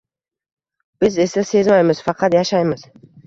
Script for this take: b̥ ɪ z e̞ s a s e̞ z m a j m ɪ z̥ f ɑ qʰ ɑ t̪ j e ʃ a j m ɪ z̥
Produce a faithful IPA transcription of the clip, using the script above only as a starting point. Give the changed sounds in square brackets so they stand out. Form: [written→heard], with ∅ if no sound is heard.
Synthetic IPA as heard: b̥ ɪ z e̞ s a s e̞ z m a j m ɪ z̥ f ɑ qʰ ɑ t̪ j [e→a] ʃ a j m ɪ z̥